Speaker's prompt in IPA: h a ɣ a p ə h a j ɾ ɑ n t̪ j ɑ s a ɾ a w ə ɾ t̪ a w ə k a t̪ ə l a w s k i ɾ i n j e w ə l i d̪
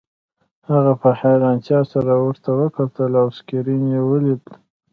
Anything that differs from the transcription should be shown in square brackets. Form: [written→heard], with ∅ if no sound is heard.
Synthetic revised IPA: h a ɣ a p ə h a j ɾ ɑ n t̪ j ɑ s a ɾ a w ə ɾ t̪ a w ə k a t̪ ə l a w s k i ɾ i n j e w ə l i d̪